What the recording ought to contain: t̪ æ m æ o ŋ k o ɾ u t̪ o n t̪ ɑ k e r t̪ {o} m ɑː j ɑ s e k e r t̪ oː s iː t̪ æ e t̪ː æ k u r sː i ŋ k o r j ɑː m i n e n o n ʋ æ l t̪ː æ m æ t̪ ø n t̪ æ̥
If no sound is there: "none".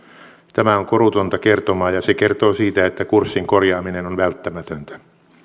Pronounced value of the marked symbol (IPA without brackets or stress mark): o